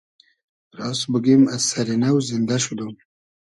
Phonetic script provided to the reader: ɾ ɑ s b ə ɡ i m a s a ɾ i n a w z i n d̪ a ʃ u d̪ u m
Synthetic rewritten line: ɾ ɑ s b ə ɡ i m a s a ɾ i n a w z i n d̪ a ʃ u d̪ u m